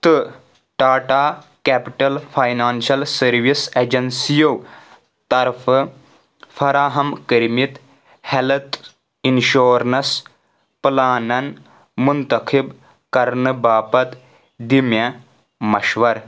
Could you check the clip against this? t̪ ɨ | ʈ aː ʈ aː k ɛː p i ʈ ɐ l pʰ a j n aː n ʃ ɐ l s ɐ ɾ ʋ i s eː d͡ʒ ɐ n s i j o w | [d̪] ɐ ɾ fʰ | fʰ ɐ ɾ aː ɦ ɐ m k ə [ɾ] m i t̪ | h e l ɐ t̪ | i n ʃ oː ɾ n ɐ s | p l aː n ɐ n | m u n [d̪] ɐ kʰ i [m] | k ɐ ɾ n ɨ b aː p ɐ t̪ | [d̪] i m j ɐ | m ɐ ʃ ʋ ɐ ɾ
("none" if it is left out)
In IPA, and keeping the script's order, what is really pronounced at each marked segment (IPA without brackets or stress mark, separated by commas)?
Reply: t̪, ɾ, t̪, b, d̪